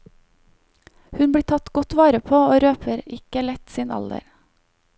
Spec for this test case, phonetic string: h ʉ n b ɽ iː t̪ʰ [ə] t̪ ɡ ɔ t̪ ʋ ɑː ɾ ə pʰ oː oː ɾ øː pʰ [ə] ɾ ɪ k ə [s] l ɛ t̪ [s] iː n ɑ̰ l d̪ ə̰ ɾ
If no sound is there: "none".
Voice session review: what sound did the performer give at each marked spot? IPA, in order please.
ɑ, ə, none, s

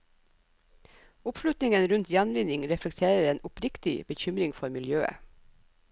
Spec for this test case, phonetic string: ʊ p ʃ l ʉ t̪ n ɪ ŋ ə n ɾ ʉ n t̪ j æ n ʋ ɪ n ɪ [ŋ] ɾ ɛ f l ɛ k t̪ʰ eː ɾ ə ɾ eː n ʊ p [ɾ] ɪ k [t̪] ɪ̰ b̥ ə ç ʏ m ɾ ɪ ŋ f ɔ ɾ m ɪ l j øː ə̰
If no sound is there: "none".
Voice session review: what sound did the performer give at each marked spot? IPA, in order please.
ŋ, ɾ, t̪

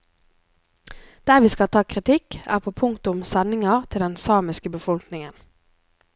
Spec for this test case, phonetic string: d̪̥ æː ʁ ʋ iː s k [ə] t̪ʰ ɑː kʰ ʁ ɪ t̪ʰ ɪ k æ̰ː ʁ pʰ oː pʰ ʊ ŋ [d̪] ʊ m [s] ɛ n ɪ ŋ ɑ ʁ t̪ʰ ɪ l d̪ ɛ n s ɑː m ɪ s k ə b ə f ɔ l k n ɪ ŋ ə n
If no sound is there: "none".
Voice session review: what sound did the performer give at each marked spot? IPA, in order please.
ɑ, t̪, s

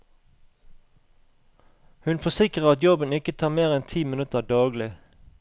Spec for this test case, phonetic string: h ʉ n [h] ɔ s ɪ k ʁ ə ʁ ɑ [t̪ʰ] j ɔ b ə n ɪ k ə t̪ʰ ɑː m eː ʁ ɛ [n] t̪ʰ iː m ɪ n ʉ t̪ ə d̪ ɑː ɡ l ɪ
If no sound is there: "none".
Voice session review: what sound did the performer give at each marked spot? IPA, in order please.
f, t̪, n

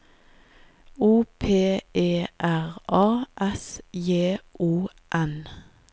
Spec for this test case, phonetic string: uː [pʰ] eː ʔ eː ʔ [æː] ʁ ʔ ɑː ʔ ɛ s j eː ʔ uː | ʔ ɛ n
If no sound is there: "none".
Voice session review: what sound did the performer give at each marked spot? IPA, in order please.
pʰ, æ

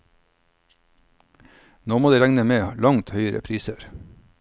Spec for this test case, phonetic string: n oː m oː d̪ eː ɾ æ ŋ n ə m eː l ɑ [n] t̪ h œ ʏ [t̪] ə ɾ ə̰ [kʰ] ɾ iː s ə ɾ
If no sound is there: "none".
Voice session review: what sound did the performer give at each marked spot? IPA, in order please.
ŋ, none, pʰ

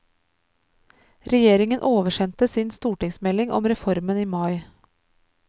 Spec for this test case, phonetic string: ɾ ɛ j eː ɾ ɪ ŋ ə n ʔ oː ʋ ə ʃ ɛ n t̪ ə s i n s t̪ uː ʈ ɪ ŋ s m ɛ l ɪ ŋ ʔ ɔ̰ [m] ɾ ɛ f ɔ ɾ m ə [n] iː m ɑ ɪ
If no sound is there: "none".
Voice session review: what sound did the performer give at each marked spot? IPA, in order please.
m, n

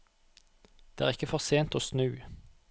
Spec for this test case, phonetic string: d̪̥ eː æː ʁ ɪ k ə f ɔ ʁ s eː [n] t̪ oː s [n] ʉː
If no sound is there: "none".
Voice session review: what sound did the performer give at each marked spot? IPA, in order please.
n, n

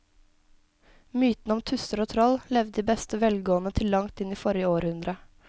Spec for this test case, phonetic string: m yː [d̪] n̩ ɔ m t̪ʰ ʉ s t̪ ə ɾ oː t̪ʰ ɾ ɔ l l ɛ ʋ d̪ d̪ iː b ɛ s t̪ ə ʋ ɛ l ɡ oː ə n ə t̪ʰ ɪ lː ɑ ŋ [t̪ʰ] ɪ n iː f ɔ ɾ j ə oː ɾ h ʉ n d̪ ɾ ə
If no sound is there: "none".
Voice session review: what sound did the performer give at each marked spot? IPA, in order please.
t̪, t̪

